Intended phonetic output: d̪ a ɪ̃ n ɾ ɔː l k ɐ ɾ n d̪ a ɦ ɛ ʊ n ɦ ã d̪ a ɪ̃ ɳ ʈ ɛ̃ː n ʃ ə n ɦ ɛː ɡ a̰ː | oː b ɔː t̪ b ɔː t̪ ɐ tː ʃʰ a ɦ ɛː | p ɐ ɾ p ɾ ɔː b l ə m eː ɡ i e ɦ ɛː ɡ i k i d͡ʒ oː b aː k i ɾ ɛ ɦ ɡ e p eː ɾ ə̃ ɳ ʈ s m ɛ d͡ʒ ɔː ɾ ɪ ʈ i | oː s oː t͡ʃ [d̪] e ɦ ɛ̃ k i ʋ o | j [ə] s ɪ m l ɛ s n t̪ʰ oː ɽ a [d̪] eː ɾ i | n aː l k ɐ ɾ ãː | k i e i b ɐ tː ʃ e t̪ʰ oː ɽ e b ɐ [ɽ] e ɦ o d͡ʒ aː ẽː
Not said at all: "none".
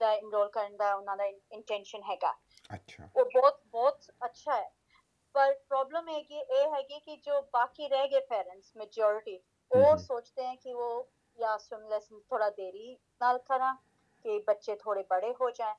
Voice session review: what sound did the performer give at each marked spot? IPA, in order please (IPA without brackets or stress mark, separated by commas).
t̪, a, d̪, ɽ